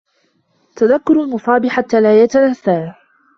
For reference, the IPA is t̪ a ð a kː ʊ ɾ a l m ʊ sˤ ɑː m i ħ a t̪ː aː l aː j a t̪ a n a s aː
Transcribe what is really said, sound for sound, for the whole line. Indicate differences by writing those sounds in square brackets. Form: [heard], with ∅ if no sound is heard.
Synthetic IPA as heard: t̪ a ð a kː ʊ ɾ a l m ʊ sˤ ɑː [b] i ħ a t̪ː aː l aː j a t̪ a n a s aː

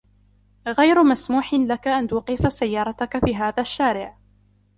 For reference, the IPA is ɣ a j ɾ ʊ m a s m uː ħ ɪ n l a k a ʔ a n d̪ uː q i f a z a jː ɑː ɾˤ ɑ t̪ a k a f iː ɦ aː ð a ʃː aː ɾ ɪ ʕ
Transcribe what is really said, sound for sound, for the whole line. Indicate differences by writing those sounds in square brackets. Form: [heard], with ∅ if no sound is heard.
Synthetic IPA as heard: ɣ a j ɾ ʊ m a s m uː ħ ɪ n l a k a ʔ a n [t̪] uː q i f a [s] a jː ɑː ɾˤ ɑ t̪ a k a f iː ɦ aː ð a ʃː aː ɾ ɪ ʕ

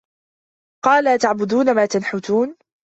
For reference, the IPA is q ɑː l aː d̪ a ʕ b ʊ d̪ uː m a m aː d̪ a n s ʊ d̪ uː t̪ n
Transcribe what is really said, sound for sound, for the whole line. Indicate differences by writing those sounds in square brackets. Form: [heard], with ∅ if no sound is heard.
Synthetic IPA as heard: q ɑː l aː [t̪] a ʕ b ʊ d̪ uː [n] a m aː [t̪] a n [ħ] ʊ [t̪] uː [∅] n

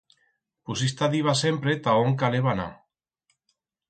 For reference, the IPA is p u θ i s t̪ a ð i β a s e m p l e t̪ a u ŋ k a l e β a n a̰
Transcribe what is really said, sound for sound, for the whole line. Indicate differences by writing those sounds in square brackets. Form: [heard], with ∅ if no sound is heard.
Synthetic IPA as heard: p u [s] i s t̪ a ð i β a s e m p [ɾ] e t̪ a [o] ŋ k a l e β a n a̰

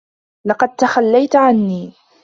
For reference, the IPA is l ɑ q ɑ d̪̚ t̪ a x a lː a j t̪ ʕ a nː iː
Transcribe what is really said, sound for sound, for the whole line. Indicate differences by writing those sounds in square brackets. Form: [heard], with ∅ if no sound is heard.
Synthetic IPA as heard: l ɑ q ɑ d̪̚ t̪ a x a lː a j t̪ ʕ a nː iː

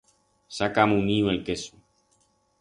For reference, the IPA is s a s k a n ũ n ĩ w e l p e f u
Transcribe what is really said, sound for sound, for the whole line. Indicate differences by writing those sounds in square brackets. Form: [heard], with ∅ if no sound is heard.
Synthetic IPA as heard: s a [∅] k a [m] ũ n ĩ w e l [k] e [s] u

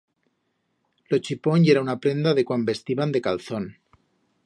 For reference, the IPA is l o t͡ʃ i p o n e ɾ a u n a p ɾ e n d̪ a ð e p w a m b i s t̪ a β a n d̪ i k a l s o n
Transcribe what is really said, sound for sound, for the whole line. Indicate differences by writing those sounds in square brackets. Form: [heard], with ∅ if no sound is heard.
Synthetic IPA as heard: l o t͡ʃ i p o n e ɾ a u n a p ɾ e n d̪ a ð e [k] w a m b [e] s t̪ [i] β a n d̪ [e] k a l [θ] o n

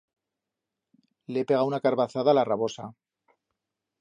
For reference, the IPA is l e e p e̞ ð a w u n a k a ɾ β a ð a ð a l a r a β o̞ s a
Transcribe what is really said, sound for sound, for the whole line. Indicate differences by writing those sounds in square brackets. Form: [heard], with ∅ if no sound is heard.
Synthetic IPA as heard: l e e p e̞ [ɣ] a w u n a k a ɾ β a [θ] a ð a l a r a β o̞ s a

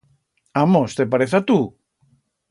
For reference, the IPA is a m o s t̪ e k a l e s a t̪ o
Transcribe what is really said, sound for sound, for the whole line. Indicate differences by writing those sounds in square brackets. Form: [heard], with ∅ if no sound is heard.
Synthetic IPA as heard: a m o s t̪ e [p] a [ɾ] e [θ] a t̪ [u]

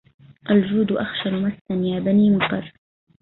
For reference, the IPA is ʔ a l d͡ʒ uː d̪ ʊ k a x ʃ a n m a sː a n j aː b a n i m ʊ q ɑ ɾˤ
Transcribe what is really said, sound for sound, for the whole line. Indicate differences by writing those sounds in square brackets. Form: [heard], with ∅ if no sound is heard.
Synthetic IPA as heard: ʔ a l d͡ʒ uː d̪ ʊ [ʔ] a x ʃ a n m a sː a n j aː b a n [iː] m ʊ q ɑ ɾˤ

